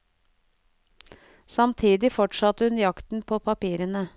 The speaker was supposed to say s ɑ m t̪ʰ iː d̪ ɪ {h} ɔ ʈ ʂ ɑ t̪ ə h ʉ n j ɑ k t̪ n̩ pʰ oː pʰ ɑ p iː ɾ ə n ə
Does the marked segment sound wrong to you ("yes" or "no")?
yes